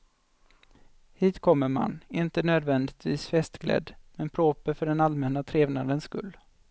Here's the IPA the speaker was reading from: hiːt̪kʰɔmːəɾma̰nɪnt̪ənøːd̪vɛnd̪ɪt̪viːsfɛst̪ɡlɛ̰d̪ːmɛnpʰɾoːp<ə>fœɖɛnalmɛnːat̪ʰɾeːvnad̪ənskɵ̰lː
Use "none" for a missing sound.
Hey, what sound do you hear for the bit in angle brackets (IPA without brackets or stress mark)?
ə